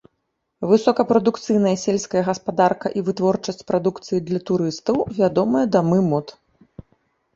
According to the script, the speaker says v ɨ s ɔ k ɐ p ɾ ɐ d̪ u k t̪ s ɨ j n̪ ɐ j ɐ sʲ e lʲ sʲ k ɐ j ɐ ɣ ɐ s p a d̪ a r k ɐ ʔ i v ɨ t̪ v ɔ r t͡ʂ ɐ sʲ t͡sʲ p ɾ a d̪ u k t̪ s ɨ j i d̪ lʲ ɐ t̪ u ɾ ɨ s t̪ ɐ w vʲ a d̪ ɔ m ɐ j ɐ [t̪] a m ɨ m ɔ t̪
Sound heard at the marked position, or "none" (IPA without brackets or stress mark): d̪